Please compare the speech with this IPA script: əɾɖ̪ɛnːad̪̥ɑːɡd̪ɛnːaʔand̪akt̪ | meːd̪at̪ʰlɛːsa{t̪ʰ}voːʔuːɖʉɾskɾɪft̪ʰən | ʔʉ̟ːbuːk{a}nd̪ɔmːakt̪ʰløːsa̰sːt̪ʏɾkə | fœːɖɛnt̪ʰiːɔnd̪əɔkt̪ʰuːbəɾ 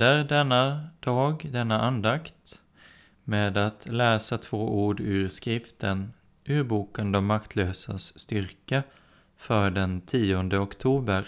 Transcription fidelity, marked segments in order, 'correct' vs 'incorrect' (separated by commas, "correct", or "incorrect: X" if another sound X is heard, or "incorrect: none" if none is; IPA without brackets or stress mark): correct, incorrect: ə